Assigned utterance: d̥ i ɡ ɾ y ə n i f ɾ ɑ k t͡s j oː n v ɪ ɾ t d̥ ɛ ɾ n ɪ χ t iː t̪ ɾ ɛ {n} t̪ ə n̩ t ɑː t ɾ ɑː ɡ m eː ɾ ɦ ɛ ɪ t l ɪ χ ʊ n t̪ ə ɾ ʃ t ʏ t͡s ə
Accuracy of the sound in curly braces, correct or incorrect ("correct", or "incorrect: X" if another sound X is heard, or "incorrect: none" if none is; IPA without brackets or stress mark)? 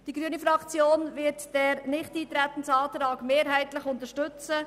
incorrect: none